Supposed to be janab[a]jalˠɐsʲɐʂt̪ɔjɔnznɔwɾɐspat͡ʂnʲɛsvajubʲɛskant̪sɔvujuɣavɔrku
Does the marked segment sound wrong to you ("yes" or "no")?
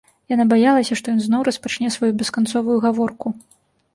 no